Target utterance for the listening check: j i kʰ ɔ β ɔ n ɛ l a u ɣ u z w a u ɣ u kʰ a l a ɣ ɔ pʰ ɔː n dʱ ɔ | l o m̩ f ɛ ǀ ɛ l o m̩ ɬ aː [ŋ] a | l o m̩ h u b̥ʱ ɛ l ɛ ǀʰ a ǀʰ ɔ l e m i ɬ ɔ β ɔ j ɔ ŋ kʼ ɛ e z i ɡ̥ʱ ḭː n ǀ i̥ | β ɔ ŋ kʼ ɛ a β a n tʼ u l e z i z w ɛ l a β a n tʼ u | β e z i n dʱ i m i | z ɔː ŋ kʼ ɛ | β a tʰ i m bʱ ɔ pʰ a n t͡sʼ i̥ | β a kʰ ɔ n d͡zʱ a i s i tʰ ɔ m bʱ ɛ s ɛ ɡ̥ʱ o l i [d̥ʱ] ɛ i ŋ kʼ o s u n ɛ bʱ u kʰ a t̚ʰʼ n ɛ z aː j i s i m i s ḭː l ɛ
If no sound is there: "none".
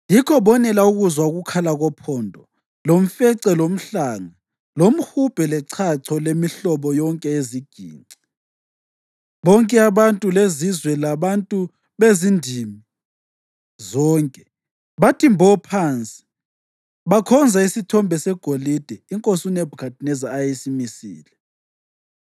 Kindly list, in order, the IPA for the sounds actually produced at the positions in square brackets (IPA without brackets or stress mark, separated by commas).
ŋ, d̥ʱ